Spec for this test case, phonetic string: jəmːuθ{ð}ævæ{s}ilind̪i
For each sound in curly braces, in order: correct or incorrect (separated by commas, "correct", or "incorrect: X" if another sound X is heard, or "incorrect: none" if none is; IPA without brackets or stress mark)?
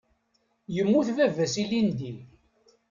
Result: incorrect: v, correct